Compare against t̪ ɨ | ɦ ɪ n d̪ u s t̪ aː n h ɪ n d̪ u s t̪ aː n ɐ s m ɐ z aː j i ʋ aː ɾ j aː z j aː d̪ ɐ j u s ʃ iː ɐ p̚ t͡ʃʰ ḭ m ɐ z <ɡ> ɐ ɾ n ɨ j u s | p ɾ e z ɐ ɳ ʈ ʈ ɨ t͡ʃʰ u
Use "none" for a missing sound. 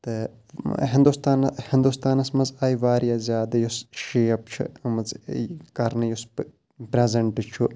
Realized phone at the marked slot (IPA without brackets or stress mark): k